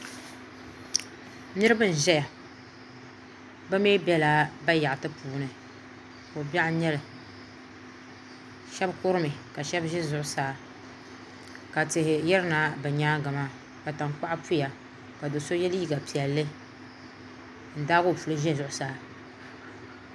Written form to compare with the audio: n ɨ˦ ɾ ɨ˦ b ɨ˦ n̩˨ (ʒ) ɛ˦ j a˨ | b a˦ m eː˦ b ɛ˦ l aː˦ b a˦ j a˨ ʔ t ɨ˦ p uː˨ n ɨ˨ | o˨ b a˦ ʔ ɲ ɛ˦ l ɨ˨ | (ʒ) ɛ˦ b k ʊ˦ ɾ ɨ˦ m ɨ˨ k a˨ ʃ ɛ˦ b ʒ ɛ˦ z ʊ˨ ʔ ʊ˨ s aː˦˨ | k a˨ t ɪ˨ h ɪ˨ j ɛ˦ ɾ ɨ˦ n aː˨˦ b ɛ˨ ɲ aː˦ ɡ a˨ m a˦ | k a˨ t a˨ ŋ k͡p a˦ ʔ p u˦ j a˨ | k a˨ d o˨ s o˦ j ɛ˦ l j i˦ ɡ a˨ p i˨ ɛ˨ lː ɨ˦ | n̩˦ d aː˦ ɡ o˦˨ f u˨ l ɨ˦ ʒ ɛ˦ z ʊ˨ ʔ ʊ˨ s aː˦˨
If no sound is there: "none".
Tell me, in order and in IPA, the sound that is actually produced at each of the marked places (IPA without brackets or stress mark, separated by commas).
ʒ, ʃ